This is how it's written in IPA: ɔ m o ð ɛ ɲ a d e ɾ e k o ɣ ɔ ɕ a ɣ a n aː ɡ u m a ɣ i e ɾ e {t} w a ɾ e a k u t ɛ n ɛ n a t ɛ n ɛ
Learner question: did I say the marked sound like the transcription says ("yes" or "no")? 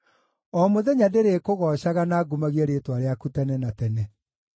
yes